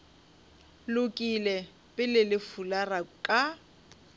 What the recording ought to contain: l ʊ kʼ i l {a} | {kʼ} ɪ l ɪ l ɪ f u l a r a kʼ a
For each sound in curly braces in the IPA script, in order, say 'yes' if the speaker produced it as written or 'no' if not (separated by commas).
no, no